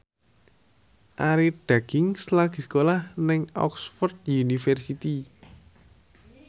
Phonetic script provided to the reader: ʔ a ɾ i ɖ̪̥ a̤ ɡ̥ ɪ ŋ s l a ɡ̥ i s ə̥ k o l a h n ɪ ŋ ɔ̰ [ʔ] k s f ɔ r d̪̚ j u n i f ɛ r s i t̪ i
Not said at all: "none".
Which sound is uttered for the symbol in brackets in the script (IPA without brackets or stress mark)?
none